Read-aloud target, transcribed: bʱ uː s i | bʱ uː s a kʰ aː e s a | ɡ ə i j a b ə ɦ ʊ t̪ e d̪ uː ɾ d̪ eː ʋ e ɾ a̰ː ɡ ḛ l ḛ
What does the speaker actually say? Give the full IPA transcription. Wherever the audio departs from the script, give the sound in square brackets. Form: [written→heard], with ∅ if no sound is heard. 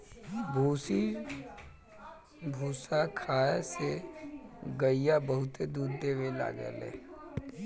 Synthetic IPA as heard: bʱ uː s i | bʱ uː s a kʰ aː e s [a→e] | ɡ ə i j a b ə ɦ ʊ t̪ e d̪ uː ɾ d̪ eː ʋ e [ɾ→l] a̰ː ɡ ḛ l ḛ